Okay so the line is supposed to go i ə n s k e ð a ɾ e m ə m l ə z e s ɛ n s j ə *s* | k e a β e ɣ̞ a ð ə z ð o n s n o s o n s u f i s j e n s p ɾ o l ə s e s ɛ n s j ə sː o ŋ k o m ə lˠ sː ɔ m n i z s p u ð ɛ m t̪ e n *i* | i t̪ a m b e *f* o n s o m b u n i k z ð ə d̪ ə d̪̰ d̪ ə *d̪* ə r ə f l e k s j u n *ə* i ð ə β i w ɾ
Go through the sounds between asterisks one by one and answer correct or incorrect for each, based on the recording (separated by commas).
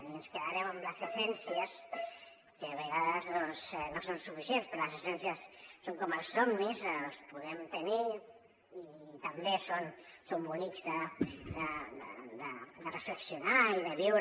correct, correct, incorrect, correct, incorrect